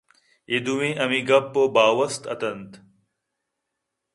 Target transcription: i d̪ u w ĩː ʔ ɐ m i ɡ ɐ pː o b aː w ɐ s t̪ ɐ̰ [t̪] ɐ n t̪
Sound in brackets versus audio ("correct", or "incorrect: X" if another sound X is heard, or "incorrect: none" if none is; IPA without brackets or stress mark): correct